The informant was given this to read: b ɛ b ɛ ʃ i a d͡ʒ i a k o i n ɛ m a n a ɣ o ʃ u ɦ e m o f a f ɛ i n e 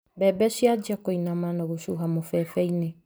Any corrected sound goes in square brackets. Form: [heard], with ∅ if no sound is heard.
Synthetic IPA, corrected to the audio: b ɛ b ɛ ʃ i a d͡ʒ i a k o i n [a] m a n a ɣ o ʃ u ɦ [a] m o f [ɛ] f ɛ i n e